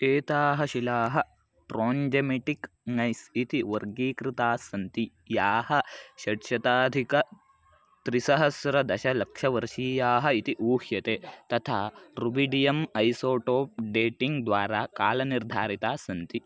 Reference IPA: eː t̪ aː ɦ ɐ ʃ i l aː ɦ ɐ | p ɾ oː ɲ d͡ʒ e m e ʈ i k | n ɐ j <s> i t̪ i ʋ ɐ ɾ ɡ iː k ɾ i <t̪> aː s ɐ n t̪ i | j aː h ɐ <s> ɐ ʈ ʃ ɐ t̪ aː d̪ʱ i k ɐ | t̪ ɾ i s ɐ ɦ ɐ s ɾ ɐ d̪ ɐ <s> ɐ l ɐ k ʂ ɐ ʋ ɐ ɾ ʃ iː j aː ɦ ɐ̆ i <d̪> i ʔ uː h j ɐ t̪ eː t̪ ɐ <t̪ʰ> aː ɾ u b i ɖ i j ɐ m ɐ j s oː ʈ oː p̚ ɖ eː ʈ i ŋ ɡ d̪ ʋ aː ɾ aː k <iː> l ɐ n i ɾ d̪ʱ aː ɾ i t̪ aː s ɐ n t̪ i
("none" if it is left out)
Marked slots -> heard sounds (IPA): s, t̪, ʃ, ʃ, t̪, t̪ʰ, aː

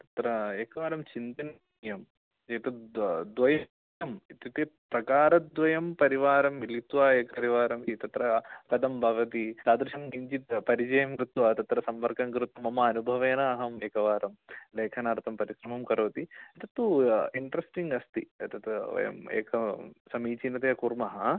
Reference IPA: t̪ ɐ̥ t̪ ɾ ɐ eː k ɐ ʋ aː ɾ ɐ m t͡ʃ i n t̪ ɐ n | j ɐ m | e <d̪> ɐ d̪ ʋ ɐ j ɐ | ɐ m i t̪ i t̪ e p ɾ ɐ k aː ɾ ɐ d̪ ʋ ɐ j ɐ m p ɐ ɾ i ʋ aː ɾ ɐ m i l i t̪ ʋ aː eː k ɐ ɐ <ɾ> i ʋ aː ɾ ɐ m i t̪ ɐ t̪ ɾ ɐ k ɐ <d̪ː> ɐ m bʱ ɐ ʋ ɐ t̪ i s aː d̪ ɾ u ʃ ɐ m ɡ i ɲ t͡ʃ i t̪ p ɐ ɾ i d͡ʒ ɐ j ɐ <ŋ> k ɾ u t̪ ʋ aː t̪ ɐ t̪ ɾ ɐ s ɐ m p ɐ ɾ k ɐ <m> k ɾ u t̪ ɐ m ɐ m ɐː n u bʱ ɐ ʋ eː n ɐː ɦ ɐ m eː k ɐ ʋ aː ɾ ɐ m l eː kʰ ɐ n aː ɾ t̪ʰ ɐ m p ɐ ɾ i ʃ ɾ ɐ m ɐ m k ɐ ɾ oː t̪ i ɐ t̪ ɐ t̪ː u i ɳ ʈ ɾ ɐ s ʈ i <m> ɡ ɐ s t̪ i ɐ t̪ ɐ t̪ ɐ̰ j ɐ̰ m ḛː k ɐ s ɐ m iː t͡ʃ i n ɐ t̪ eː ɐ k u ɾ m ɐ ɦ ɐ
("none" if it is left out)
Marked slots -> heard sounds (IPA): t̪, ɾ, d̪, m, ŋ, ŋ

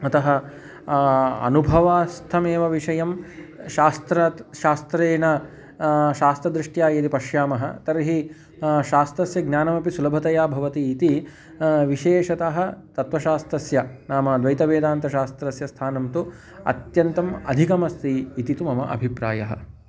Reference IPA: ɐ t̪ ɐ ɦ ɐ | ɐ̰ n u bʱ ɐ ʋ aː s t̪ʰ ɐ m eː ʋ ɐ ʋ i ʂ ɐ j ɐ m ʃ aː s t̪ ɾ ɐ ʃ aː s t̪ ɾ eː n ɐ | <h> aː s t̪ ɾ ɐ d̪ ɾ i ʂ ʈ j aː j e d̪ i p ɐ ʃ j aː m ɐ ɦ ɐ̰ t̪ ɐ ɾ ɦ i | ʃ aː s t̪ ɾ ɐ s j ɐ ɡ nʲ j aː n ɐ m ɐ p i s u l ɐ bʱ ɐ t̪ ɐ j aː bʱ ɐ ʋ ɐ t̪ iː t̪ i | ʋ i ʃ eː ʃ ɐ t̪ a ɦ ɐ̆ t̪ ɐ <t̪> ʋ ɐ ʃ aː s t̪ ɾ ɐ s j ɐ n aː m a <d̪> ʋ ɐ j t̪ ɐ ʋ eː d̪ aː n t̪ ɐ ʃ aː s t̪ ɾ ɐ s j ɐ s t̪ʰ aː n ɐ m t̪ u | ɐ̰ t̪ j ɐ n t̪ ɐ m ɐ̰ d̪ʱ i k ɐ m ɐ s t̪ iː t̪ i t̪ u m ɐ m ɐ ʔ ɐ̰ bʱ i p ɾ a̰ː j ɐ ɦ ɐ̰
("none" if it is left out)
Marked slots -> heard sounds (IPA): ʃ, t̪, d̪

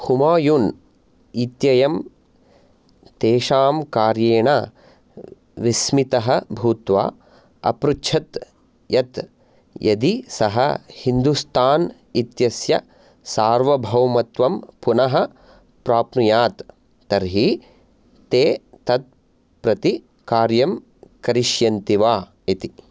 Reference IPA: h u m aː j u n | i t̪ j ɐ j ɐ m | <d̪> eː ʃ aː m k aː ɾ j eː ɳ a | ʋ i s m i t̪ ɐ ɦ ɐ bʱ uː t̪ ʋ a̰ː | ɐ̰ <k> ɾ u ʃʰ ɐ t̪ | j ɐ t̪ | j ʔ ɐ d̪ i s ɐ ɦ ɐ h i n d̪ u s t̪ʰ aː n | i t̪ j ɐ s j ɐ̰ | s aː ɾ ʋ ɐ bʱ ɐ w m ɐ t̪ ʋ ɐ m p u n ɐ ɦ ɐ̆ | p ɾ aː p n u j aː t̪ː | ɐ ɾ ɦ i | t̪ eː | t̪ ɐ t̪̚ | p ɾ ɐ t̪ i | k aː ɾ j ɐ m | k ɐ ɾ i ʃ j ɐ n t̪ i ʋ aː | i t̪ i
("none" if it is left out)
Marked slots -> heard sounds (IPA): t̪, p

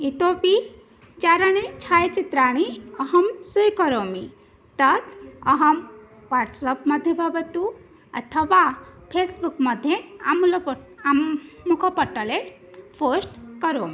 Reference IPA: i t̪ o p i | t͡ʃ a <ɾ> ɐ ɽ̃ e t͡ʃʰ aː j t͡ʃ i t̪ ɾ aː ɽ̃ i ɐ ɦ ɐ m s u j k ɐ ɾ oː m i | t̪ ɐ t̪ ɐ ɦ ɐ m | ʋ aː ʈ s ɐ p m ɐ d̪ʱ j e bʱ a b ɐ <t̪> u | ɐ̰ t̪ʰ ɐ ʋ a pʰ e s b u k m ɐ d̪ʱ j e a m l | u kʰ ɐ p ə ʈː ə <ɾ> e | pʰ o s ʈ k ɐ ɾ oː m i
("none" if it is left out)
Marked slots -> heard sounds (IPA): ɾ, t̪, l

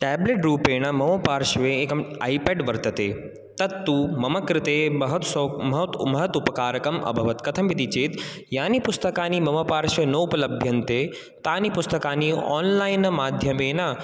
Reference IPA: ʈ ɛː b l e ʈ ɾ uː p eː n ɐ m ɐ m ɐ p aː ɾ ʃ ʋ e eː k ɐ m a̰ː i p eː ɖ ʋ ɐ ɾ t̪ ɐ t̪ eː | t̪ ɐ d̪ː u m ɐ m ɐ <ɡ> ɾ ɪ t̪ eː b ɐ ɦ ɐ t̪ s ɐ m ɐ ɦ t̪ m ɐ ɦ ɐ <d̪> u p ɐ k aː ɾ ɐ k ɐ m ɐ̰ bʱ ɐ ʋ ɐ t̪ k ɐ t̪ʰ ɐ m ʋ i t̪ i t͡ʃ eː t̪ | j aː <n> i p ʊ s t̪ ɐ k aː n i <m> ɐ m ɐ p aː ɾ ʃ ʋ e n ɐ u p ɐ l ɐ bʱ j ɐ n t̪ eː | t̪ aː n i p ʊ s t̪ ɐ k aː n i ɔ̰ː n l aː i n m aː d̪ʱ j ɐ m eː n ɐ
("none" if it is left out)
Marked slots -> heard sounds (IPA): k, t̪, n, m

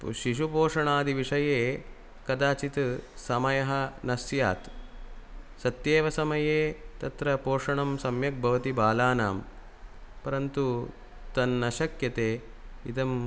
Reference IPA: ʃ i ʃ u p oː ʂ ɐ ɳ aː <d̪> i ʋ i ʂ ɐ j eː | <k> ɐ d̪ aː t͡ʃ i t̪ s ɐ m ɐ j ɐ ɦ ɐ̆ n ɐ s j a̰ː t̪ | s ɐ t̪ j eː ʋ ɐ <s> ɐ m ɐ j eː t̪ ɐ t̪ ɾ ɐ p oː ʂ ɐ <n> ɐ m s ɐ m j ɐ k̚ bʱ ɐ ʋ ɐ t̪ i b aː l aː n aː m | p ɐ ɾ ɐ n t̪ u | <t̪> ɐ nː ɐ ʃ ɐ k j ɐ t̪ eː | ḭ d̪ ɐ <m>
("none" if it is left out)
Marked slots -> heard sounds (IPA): d̪, k, s, ɳ, t̪, m

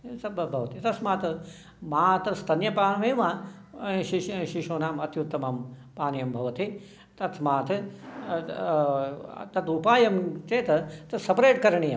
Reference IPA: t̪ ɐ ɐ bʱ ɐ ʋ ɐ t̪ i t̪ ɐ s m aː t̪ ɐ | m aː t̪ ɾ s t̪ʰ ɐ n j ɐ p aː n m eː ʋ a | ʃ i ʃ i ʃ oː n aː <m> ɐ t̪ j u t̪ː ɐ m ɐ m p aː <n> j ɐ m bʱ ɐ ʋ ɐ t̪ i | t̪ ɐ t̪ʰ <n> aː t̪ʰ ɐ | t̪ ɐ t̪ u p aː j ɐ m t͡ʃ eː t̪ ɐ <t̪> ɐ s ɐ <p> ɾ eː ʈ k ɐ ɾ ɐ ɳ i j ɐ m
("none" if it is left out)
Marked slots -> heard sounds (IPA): m, n, m, t̪, p

